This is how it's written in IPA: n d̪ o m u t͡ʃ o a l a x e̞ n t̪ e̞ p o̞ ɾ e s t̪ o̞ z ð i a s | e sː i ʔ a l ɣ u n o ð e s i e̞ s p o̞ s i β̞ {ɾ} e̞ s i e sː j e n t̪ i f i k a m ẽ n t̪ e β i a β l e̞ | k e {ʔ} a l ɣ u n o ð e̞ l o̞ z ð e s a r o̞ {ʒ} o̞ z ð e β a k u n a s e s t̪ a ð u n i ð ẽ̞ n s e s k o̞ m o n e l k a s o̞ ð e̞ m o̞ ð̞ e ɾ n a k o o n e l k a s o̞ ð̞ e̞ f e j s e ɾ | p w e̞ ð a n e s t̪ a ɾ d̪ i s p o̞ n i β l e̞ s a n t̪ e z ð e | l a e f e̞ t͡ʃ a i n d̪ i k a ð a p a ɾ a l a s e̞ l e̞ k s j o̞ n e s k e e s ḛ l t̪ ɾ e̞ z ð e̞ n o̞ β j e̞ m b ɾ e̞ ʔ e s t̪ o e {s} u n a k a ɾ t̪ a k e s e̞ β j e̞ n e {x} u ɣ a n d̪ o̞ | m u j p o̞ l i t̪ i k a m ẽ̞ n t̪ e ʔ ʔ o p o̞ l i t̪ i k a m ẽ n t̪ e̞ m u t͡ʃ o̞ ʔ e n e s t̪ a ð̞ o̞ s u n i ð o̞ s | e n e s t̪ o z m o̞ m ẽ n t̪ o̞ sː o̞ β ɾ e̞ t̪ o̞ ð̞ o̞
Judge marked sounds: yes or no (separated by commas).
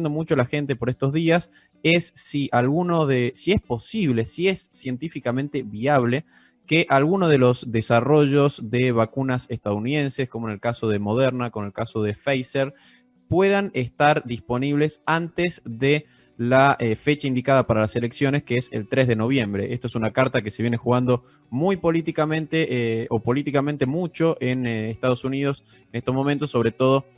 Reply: no, yes, yes, yes, yes